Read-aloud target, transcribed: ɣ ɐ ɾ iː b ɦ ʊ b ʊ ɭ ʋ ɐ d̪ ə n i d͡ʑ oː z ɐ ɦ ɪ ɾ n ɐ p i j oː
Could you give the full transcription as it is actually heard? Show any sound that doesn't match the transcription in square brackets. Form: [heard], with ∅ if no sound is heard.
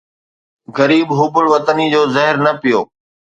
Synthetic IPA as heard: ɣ ɐ ɾ iː b ɦ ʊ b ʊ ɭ ʋ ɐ [t̪] ə n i d͡ʑ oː z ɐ ɦ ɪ ɾ n ɐ p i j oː